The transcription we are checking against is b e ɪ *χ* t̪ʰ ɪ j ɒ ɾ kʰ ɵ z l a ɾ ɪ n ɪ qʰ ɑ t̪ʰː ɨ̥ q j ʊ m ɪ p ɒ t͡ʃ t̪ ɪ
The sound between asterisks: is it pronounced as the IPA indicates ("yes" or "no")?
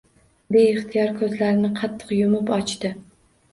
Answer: yes